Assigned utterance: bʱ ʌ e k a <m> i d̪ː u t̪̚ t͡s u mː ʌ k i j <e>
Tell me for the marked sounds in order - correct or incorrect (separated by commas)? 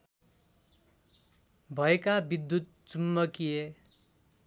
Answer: incorrect, correct